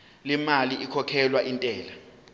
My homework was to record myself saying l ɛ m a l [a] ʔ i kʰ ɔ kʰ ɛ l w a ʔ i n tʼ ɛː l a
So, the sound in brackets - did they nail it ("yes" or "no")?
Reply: no